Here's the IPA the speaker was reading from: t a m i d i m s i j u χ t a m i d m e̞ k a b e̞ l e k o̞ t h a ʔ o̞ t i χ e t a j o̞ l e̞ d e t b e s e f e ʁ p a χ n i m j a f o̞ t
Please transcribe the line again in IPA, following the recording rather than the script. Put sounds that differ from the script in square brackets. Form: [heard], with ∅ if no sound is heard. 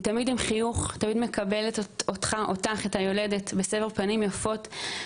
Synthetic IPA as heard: t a m i d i m [χ] i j u χ t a m i d m e̞ k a b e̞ l e [t] o̞ t [χ] a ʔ o̞ t [a] χ e t a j o̞ l e̞ d e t b e s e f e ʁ p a [∅] n i m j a f o̞ t